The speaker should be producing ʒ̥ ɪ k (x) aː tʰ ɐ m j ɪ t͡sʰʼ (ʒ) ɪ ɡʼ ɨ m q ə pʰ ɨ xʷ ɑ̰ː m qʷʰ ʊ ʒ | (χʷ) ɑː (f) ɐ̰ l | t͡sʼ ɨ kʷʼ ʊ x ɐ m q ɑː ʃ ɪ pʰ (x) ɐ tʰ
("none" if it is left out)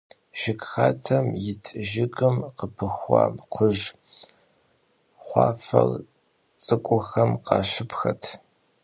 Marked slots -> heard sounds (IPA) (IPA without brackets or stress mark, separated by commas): x, ʒ, χʷ, f, x